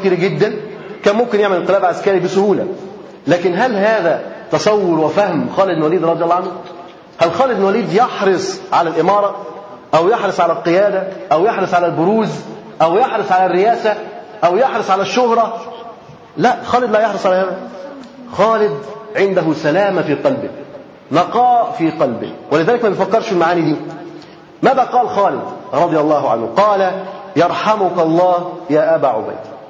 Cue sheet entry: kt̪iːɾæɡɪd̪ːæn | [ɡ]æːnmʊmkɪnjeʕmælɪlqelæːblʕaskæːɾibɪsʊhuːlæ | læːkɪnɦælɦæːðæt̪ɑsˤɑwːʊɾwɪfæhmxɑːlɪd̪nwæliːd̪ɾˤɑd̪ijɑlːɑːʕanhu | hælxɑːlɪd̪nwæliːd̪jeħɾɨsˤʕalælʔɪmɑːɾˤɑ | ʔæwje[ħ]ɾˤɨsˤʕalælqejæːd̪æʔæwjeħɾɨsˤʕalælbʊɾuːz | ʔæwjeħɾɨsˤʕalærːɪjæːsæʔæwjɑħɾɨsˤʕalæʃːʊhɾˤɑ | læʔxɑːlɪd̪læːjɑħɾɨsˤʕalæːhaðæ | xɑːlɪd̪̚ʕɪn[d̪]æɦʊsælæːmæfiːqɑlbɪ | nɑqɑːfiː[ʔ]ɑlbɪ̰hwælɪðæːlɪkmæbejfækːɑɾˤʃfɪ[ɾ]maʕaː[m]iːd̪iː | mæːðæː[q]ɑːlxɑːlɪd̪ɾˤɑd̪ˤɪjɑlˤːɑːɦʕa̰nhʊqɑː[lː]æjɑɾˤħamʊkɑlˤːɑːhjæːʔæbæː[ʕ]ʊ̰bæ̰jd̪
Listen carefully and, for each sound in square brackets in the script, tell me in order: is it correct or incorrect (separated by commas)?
incorrect, correct, correct, incorrect, incorrect, incorrect, correct, incorrect, correct